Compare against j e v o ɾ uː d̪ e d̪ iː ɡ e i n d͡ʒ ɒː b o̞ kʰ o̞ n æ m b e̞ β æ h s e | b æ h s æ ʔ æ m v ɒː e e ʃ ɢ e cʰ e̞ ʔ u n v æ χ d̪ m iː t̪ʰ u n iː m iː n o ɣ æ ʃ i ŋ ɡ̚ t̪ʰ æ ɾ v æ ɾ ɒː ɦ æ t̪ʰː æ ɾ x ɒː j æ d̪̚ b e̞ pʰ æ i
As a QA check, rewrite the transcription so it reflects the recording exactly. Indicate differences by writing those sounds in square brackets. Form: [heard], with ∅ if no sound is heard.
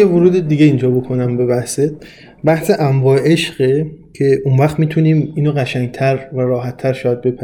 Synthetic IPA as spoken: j e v o ɾ uː d̪ e d̪ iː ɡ e i n d͡ʒ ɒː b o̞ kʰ o̞ n æ m b e̞ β æ h s e | b æ h s [e] ʔ æ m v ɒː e e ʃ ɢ e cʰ e̞ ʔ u n v æ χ [t̪] m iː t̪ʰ u n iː m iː n o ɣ æ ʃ [æ] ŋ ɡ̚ t̪ʰ æ ɾ v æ ɾ ɒː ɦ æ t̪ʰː æ ɾ [ʃ] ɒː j æ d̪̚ b e̞ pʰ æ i